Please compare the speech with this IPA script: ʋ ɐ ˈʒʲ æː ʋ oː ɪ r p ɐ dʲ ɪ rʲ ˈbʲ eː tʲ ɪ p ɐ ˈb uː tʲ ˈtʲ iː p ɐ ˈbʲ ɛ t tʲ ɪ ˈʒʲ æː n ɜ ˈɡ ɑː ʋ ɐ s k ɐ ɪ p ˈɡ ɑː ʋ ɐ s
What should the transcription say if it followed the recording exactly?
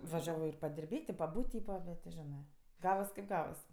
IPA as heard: ʋ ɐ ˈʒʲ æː ʋ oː ɪ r p ɐ dʲ ɪ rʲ ˈbʲ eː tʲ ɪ p ɐ ˈb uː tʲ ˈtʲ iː p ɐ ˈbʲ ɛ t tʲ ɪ ˈʒʲ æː n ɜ ˈɡ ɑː ʋ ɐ s k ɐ ɪ p ˈɡ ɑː ʋ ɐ s